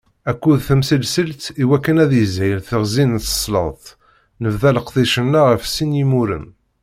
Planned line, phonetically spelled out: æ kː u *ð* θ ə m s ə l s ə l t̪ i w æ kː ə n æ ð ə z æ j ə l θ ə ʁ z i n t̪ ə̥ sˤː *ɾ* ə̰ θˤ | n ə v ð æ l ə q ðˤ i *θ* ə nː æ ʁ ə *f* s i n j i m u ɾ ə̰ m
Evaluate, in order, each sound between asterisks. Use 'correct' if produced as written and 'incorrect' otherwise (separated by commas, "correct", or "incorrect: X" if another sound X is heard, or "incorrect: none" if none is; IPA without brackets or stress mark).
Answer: correct, incorrect: l, incorrect: ʃ, correct